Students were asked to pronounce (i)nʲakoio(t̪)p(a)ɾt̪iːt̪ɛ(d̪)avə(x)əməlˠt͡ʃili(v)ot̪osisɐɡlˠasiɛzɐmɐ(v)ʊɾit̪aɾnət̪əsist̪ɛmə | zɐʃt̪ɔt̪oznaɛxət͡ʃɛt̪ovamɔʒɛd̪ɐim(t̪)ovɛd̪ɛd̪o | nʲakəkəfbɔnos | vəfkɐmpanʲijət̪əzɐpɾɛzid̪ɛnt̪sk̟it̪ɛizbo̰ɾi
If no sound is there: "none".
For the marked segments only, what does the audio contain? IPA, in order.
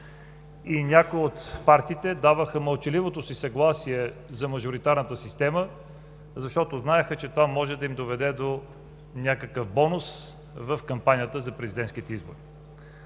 i, t̪, a, d̪, x, v, ʒ, d̪

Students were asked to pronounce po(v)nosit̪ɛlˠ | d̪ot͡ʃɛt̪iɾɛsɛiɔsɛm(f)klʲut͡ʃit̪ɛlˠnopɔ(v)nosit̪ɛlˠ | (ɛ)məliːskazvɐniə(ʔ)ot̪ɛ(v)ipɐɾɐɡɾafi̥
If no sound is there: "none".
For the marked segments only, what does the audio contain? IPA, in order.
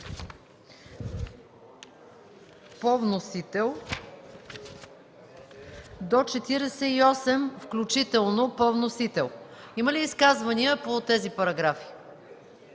v, f, v, i, p, z

